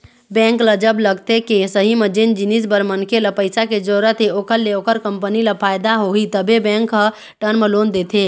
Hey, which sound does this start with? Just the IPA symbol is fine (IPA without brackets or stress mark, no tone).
b